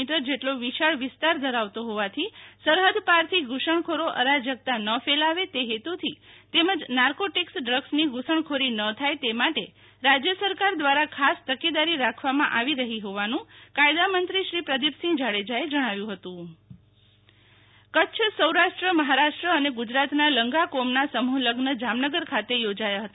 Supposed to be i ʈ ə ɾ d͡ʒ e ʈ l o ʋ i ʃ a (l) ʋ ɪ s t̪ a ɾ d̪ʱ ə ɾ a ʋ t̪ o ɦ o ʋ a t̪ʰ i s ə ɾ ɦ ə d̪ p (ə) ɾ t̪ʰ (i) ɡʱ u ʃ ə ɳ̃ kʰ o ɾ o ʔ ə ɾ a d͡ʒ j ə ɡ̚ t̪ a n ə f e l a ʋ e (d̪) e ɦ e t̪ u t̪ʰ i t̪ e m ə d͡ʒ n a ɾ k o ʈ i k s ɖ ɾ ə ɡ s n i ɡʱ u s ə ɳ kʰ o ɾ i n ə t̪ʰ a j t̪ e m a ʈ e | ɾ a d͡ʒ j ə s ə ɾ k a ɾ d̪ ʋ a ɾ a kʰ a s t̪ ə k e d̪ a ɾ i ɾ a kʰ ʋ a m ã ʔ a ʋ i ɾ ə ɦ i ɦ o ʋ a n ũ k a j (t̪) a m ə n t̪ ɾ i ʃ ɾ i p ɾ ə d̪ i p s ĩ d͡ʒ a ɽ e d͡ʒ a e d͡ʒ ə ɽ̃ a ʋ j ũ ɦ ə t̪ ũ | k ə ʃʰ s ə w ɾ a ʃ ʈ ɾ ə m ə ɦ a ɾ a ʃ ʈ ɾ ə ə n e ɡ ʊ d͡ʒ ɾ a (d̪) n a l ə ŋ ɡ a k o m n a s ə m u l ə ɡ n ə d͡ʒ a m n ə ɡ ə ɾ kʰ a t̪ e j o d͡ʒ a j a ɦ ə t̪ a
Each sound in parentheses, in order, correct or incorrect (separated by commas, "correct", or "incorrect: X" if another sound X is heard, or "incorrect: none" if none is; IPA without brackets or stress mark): incorrect: ɭ, incorrect: a, correct, incorrect: t̪, incorrect: d̪, incorrect: t̪